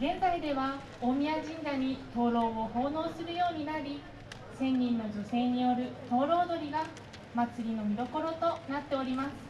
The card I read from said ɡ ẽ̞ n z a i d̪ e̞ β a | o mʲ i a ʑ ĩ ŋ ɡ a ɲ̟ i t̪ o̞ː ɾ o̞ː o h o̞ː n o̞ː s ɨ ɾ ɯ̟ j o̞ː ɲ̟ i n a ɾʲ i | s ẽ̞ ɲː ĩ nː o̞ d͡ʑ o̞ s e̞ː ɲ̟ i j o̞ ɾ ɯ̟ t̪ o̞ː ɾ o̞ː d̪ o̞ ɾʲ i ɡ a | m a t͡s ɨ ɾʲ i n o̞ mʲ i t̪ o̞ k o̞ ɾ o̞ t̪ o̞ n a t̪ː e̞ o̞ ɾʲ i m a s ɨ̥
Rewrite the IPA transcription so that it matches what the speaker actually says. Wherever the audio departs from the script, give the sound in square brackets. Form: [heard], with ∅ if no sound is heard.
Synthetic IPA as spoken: ɡ ẽ̞ n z a i d̪ e̞ β a | o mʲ i a ʑ ĩ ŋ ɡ a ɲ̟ i t̪ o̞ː ɾ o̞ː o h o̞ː n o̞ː s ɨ ɾ ɯ̟ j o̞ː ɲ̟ i n a ɾʲ i | s ẽ̞ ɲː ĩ nː o̞ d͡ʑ o̞ s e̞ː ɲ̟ i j o̞ ɾ ɯ̟ t̪ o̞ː ɾ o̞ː d̪ o̞ ɾʲ i ɡ a | m a t͡s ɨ ɾʲ i n o̞ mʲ i [d̪] o̞ k o̞ ɾ o̞ t̪ o̞ n a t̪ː e̞ o̞ ɾʲ i m a s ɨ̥